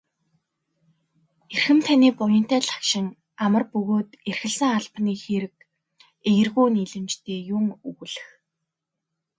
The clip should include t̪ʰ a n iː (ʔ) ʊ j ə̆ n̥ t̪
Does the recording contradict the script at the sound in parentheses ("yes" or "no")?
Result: yes